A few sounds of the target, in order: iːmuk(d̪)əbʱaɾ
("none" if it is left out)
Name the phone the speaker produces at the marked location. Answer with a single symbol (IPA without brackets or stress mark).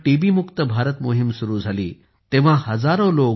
t̪